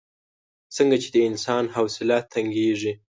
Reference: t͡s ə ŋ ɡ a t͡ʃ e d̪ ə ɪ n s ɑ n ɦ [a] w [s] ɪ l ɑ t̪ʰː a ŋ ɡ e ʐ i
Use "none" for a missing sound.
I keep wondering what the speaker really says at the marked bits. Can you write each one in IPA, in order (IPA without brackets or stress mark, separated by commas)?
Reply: a, s